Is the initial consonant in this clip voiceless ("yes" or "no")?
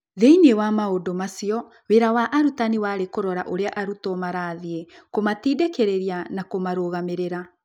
no